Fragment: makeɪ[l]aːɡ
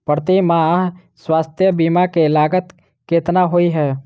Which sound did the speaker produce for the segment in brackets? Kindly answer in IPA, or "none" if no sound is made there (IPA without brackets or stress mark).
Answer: l